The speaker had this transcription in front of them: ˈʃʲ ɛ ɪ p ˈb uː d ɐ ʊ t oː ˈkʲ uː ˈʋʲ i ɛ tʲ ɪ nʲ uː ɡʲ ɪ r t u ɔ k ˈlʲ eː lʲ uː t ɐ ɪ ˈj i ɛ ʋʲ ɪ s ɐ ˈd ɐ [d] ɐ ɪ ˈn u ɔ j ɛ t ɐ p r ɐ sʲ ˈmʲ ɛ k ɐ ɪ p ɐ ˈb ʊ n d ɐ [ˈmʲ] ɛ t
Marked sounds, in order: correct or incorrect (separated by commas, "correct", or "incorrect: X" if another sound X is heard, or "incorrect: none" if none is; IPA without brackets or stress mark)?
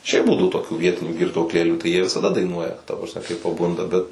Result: correct, incorrect: bʲ